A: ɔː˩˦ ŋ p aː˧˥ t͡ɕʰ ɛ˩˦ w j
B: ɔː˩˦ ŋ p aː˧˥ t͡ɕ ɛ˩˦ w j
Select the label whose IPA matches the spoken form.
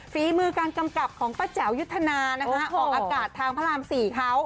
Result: B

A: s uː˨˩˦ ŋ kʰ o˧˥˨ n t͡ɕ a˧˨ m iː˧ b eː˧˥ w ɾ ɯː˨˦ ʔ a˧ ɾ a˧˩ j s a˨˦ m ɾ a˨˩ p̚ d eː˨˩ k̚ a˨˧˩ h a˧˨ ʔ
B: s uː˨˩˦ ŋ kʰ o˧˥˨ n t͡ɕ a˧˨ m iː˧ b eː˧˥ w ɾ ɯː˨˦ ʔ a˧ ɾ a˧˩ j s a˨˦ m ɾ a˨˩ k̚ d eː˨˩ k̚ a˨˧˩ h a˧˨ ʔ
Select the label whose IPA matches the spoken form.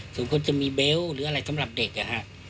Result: A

